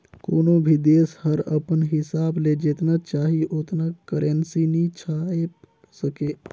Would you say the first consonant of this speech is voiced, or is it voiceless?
voiceless